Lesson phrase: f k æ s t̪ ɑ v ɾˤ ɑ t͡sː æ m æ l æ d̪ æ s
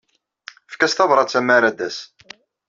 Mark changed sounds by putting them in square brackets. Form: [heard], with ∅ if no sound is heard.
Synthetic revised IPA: f k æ s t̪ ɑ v ɾˤ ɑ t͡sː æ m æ [ɾ] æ d̪ æ s